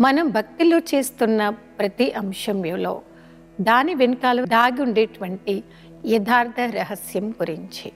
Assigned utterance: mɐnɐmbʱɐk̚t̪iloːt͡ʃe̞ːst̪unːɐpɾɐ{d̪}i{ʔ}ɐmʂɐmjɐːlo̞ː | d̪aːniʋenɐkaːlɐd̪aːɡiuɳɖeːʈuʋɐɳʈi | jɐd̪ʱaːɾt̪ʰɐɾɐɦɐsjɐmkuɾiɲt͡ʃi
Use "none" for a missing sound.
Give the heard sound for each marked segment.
t̪, ʔ

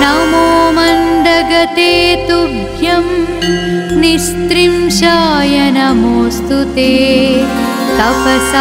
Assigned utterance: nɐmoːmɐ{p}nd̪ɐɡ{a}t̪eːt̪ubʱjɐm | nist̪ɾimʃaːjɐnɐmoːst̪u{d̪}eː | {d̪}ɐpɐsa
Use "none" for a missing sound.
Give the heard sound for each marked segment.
none, ɐ, t̪, t̪

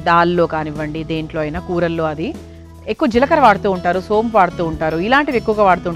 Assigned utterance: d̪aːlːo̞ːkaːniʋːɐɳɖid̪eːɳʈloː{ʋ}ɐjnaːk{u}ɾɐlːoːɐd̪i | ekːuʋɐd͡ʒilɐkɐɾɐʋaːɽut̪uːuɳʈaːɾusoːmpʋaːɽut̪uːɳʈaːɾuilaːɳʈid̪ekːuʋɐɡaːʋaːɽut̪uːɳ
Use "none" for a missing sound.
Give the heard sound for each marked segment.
none, uː

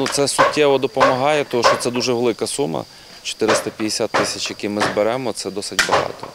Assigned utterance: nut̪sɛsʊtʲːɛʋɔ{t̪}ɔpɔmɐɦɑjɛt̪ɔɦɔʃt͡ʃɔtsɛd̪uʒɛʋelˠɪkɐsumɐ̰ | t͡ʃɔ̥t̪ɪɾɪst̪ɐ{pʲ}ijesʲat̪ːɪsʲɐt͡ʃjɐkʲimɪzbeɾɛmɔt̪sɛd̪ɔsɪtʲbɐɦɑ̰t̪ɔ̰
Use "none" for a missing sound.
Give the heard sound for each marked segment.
d̪, pʲ

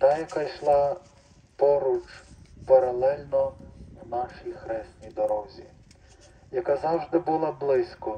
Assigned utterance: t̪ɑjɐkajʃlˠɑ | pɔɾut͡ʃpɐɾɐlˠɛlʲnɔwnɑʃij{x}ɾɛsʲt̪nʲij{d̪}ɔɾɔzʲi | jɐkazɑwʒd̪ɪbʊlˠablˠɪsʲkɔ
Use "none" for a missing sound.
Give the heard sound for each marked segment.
x, d̪

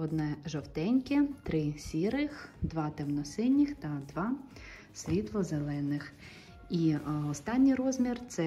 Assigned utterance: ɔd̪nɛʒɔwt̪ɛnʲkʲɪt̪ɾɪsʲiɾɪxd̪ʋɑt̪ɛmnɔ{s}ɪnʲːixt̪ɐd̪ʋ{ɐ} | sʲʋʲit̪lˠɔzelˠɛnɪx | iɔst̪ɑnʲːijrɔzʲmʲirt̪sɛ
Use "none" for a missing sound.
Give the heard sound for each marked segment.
s, ɑ

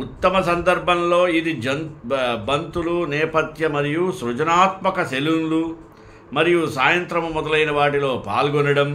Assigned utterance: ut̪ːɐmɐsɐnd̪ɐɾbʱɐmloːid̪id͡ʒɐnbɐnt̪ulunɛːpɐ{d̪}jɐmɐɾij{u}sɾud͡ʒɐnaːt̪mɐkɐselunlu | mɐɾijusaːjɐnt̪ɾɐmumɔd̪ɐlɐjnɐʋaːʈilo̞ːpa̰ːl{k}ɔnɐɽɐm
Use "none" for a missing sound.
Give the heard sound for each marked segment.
t̪, u, ɡ

